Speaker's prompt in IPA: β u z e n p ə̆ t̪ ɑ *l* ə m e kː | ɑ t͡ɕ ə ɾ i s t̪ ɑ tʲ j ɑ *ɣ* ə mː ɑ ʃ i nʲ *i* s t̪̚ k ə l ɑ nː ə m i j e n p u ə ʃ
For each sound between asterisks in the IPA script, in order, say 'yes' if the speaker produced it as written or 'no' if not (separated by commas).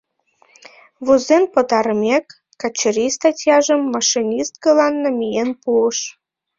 no, no, yes